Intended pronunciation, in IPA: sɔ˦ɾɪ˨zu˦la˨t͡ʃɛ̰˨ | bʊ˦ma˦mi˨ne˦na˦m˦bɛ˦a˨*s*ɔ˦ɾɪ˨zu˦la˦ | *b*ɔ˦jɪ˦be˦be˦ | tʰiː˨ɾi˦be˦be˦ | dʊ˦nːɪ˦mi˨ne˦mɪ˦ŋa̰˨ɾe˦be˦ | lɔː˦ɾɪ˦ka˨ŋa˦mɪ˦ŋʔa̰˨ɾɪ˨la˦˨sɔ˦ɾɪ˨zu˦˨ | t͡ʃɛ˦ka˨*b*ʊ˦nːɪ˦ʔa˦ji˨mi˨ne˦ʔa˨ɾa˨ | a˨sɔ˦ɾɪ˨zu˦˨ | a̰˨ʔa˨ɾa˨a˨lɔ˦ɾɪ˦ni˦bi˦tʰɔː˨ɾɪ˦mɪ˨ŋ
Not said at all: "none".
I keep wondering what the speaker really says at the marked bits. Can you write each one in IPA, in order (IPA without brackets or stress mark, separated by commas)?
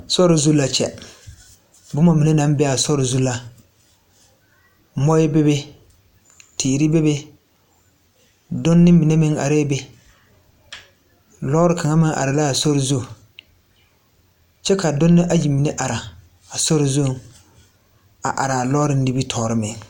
s, m, d